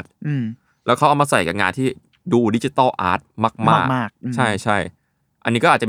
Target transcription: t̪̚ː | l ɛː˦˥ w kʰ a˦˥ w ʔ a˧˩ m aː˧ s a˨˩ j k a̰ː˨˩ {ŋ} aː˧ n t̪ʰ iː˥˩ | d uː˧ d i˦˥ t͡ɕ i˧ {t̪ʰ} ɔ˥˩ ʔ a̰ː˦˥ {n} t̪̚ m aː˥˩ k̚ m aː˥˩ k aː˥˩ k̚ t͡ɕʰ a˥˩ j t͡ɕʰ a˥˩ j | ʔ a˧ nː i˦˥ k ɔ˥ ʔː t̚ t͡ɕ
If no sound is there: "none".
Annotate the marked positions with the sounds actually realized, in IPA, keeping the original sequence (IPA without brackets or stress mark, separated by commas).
ŋ, t̪, none